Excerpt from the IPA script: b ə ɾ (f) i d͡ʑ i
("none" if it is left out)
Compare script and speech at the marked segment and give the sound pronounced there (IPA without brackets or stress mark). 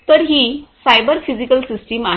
f